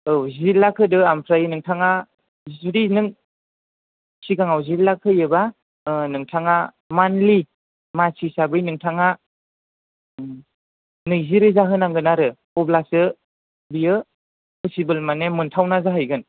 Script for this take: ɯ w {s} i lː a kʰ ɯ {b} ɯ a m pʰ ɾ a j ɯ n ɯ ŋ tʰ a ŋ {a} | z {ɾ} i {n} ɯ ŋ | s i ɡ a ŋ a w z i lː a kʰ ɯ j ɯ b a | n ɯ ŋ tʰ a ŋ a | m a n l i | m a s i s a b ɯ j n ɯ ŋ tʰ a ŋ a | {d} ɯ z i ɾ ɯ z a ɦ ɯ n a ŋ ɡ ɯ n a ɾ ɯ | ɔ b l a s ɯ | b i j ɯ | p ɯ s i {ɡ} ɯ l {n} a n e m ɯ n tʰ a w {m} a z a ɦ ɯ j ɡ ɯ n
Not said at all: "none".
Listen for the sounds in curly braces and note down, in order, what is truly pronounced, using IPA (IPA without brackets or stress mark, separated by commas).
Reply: z, d, a, ɾ, n, n, b, m, n